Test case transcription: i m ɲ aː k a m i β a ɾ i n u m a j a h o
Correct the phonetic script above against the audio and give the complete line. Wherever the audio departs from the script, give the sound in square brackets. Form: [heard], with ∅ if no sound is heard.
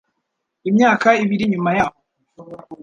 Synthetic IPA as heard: i m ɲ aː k a [∅] i β [i] ɾ i [ɲ] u m a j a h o